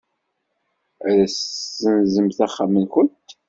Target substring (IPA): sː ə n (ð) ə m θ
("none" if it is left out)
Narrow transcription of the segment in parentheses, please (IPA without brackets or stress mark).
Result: z